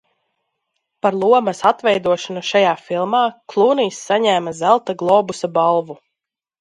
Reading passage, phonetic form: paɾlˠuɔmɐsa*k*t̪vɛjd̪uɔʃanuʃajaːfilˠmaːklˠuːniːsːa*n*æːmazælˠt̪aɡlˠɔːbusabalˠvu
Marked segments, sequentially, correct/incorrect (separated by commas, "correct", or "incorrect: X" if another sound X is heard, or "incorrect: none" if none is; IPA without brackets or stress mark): incorrect: none, incorrect: ɲ